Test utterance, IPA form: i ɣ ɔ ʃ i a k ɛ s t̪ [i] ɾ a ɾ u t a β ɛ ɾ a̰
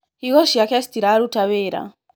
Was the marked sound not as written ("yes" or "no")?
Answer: no